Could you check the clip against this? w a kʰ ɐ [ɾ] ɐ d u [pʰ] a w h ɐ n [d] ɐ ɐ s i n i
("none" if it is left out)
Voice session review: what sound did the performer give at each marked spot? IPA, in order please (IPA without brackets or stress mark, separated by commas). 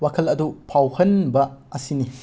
l, pʰ, b